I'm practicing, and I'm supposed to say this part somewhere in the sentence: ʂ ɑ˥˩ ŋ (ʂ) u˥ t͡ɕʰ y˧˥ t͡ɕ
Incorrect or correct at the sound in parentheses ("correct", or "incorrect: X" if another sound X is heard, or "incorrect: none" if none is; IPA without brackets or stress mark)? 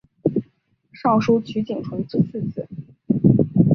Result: correct